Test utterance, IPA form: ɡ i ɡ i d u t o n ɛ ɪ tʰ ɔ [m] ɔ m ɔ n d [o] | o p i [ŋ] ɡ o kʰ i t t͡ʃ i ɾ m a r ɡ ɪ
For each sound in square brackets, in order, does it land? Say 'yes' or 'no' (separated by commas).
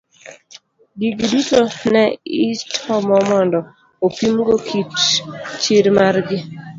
yes, no, no